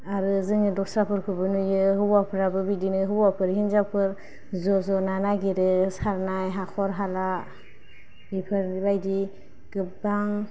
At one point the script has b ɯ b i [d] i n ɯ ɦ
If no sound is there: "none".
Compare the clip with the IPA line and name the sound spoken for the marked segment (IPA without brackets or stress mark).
d